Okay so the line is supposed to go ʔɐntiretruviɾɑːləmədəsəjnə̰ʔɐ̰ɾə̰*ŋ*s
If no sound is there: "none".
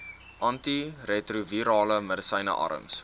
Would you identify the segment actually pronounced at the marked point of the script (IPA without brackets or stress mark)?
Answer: m